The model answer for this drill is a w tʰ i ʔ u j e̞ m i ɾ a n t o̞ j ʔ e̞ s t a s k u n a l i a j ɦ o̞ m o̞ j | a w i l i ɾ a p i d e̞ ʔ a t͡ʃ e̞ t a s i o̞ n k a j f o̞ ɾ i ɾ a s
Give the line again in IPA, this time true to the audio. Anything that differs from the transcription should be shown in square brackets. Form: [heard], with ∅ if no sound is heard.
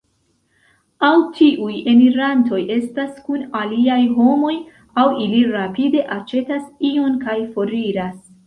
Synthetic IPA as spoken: a w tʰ i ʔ u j e̞ m i ɾ a n t o̞ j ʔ e̞ s t a s k u n a l i a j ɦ o̞ m o̞ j | a w i l i ɾ a p i d e̞ ʔ a t͡ʃ e̞ t a s i o̞ n k a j f o̞ ɾ i ɾ a s